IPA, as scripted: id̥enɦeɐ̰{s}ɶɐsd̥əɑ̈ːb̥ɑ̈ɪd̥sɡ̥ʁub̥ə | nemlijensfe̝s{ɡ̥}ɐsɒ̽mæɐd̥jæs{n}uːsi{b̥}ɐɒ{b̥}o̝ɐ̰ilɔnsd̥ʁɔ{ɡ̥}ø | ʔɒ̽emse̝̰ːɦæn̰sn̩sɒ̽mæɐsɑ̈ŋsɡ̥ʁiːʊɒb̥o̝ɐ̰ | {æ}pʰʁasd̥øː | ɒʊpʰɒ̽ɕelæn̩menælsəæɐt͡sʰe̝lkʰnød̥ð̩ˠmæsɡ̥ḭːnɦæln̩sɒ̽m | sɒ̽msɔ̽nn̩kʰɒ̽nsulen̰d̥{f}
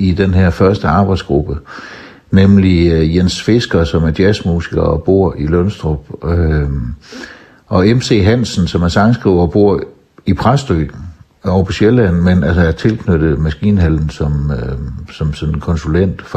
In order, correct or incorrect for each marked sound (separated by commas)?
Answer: incorrect, correct, incorrect, incorrect, correct, incorrect, incorrect, correct